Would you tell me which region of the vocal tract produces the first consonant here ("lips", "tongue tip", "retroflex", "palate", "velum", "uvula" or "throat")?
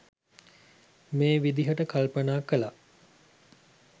lips